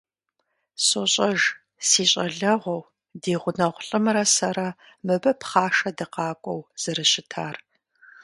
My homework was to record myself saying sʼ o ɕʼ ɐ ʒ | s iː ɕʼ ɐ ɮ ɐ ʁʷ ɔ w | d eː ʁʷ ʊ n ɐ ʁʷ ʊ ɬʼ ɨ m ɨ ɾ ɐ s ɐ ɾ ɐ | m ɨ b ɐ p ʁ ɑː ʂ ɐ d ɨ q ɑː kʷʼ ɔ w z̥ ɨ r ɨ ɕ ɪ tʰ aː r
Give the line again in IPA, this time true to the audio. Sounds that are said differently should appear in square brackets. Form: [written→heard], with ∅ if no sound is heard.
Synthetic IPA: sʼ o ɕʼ ɐ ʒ | s iː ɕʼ ɐ ɮ ɐ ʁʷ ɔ w | d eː ʁʷ ʊ n ɐ ʁʷ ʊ ɬʼ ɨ m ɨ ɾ ɐ s ɐ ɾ ɐ | m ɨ b ɐ p [ʁ→χ] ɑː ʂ ɐ d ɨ q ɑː kʷʼ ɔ w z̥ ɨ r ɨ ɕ ɪ tʰ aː r